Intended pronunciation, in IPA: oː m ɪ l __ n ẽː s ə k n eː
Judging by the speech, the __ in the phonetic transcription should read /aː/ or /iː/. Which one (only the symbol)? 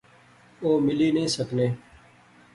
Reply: iː